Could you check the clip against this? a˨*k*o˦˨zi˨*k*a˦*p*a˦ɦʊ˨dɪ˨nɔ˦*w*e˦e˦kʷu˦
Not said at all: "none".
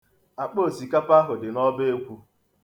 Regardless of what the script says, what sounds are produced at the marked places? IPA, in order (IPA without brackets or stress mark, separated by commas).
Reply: k͡p, k, p, b